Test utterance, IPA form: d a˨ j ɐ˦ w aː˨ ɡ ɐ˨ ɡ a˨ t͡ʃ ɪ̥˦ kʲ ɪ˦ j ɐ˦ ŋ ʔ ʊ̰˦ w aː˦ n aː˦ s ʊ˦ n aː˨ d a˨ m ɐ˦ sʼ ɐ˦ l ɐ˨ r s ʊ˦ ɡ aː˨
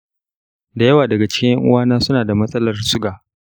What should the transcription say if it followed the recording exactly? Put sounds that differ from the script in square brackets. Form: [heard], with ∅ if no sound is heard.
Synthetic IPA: d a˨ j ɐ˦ w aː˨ [d] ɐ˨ ɡ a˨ t͡ʃ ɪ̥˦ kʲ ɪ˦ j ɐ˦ ŋ ʔ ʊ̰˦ w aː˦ n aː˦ s ʊ˦ n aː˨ d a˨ m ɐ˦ sʼ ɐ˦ l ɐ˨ r s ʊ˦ ɡ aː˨